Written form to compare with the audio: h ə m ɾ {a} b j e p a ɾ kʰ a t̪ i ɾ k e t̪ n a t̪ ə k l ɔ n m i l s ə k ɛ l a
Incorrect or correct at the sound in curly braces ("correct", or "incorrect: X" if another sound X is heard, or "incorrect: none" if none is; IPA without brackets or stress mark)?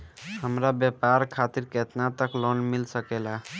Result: correct